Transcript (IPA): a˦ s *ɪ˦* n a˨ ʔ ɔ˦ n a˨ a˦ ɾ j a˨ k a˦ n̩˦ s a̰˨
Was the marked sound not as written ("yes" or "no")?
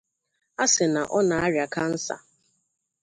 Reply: yes